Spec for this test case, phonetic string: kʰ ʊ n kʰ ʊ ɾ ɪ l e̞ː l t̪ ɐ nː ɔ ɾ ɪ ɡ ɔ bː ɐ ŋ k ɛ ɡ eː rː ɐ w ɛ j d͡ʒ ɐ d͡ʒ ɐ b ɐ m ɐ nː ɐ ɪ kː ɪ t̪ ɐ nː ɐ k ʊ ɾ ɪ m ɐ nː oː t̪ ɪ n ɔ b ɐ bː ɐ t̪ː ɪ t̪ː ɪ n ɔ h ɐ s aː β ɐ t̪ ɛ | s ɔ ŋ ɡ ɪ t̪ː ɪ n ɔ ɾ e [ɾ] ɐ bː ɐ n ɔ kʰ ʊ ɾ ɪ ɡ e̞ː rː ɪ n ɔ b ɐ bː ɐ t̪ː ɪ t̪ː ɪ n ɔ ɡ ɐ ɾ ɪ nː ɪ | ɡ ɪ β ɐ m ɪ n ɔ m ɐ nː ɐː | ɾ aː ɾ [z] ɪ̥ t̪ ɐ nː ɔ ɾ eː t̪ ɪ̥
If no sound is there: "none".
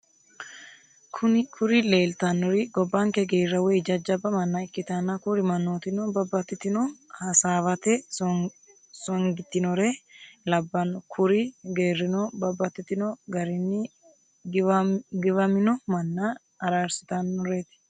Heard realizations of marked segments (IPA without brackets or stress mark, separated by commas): l, s